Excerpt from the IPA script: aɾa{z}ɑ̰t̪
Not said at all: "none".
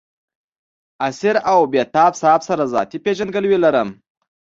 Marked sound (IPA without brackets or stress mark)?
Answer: z